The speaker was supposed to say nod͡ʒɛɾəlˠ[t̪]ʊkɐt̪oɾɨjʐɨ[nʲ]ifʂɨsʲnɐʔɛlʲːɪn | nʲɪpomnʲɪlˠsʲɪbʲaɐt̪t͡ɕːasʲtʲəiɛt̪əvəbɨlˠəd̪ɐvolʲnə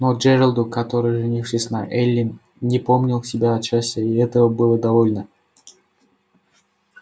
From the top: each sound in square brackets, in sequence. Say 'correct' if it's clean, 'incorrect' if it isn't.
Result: incorrect, correct

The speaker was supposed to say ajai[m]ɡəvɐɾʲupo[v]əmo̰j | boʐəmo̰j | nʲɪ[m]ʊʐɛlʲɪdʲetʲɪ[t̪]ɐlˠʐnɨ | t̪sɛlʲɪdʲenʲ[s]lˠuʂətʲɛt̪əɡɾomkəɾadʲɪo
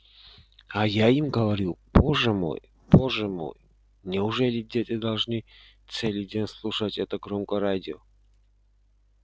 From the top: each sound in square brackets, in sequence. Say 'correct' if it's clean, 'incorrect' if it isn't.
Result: correct, incorrect, incorrect, incorrect, correct

